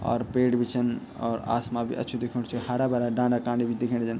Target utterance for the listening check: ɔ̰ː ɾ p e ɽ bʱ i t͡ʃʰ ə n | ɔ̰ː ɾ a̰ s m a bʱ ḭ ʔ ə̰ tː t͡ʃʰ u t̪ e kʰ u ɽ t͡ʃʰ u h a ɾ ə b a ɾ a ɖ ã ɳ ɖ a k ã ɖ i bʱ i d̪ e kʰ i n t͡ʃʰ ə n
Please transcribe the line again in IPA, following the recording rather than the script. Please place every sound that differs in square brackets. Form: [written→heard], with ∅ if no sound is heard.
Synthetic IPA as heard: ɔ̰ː ɾ p e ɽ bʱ i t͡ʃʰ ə n | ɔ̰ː ɾ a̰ s m a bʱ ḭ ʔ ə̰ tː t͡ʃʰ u [t̪→d̪] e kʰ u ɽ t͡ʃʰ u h a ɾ [ə→a] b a ɾ a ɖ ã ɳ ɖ a k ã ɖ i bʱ i d̪ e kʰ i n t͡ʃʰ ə n